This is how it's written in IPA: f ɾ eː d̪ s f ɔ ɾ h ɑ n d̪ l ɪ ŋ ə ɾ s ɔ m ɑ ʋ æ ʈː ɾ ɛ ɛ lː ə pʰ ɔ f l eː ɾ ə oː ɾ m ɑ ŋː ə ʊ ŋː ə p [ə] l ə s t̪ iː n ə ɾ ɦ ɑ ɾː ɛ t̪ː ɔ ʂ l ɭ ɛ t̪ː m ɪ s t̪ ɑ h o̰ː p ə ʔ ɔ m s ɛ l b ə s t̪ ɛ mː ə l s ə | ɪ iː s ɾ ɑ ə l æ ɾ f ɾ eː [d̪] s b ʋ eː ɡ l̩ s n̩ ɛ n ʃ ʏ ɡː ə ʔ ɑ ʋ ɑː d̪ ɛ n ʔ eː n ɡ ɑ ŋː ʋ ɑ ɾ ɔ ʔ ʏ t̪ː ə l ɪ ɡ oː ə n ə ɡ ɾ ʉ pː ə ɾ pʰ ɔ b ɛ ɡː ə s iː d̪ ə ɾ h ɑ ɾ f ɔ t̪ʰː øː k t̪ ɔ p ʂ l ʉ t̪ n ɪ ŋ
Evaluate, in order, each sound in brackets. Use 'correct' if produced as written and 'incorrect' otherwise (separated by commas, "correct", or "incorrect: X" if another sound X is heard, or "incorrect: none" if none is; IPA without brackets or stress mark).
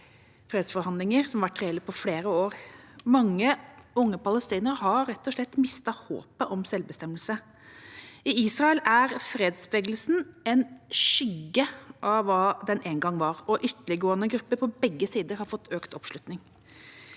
incorrect: ɑ, correct